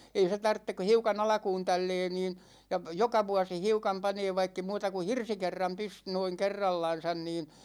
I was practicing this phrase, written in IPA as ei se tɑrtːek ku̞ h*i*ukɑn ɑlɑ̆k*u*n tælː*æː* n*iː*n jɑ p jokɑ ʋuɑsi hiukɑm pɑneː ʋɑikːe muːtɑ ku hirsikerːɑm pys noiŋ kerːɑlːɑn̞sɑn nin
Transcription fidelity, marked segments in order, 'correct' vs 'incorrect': correct, incorrect: uː, incorrect: ɛː, correct

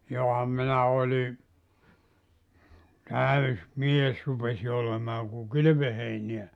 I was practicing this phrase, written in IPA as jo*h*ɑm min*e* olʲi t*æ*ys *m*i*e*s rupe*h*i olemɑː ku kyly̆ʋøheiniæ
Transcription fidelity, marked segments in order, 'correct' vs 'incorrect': correct, incorrect: æ, correct, correct, correct, incorrect: s

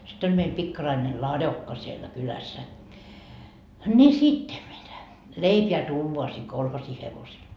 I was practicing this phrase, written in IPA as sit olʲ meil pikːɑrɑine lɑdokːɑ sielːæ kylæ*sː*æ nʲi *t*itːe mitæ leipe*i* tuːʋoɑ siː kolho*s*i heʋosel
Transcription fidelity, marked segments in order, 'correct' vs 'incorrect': correct, incorrect: s, incorrect: æ, correct

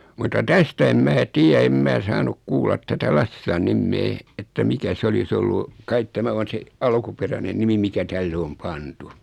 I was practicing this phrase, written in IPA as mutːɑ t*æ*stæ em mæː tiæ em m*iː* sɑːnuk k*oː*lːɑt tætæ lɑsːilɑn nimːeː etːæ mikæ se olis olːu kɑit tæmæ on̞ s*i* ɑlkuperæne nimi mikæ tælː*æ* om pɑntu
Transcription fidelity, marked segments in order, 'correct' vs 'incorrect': correct, incorrect: æː, incorrect: uː, incorrect: e, incorrect: e

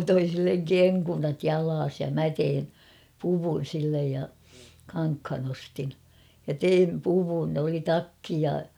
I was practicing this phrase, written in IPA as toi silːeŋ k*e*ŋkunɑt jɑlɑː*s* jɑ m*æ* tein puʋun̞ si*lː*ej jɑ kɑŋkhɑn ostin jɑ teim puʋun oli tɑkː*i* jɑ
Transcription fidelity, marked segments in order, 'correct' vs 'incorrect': correct, correct, correct, correct, correct

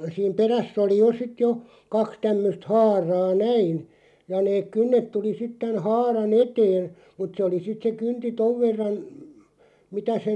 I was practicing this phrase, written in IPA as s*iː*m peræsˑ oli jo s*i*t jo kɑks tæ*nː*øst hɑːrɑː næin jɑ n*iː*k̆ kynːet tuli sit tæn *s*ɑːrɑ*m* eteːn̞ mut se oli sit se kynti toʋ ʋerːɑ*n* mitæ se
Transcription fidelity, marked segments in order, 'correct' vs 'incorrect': correct, correct, incorrect: mː, incorrect: eː, incorrect: h, incorrect: n, correct

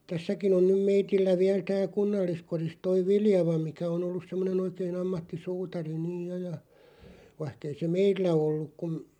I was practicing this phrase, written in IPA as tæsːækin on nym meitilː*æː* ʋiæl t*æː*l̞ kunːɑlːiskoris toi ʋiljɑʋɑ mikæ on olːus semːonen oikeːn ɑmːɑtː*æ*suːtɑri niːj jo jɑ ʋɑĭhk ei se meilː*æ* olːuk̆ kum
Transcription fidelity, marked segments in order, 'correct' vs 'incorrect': incorrect: æ, correct, incorrect: i, correct

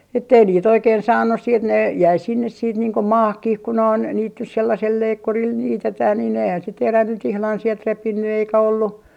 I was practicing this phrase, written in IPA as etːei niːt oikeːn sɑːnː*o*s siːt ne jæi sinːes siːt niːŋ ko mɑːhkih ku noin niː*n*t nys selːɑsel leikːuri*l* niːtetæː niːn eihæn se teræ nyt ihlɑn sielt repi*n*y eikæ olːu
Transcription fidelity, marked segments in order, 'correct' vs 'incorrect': incorrect: u, incorrect: none, correct, incorrect: nː

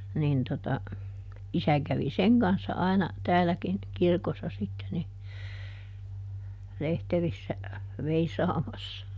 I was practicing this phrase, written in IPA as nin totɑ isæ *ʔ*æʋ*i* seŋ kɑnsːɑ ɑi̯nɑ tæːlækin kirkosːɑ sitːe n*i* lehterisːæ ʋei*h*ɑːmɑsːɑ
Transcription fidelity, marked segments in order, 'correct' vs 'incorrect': incorrect: k, correct, correct, incorrect: s

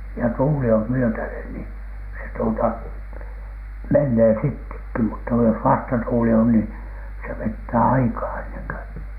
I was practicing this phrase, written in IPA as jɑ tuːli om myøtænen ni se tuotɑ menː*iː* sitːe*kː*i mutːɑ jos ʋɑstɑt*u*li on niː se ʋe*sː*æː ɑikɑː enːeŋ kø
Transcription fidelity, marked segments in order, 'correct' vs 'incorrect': incorrect: eː, correct, incorrect: uː, incorrect: tː

